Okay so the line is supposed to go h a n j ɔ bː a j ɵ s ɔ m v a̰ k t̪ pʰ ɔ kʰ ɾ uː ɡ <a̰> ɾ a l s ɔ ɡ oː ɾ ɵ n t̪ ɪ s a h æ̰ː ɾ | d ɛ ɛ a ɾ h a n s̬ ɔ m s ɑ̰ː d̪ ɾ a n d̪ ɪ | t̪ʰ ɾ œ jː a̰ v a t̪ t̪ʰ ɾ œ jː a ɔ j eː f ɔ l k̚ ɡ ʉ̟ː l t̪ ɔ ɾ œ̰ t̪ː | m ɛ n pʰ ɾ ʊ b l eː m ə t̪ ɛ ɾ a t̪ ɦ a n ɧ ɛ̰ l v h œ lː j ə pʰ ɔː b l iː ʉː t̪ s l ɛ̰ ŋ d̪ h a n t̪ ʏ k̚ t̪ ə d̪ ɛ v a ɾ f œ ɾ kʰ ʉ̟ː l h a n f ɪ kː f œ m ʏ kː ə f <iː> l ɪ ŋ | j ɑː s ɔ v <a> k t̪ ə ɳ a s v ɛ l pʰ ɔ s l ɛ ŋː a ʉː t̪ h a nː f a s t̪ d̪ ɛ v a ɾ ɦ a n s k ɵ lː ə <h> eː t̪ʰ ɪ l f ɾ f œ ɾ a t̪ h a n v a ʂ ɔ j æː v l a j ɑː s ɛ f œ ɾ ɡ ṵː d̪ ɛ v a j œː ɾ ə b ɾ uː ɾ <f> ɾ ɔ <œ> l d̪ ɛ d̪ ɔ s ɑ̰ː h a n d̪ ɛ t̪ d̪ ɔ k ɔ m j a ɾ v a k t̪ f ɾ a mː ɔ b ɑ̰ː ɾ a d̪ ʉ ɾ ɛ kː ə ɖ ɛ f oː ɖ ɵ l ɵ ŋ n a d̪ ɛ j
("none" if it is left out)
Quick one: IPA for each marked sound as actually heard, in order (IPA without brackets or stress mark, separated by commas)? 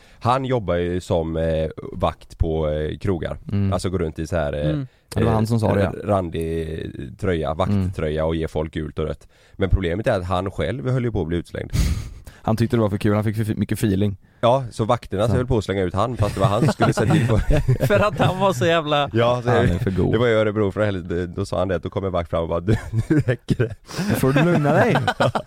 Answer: a̰, iː, a, s, f, ɛ